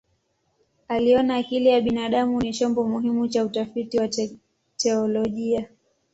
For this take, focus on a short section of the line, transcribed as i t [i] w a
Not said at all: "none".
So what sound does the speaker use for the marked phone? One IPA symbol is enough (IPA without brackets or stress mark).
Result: i